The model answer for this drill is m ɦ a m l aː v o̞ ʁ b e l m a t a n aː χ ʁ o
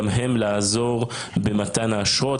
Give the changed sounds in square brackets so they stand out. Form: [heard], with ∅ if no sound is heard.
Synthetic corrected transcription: m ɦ [e] m l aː [z] o̞ ʁ b e [∅] m a t a n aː [ʃ] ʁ o